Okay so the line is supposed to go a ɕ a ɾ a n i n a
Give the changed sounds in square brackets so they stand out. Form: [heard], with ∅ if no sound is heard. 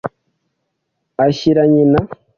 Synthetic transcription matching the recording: a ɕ [i] ɾ a [ɲ] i n a